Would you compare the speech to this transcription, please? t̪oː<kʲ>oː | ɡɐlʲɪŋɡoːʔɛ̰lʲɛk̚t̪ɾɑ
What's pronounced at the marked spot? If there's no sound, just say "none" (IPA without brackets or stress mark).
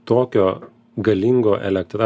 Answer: kʲ